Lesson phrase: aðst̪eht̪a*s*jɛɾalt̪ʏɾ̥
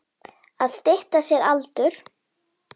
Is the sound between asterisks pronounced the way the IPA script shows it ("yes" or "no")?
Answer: yes